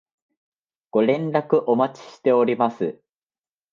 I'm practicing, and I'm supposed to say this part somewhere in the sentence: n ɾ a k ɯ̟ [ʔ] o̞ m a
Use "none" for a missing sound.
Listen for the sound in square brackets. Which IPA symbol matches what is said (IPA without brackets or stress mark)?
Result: ʔ